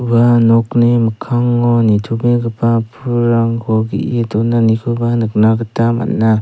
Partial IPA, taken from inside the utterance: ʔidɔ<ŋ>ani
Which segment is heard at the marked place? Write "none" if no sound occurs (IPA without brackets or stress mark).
n